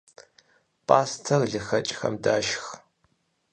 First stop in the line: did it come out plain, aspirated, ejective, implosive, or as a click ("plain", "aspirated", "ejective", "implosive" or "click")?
ejective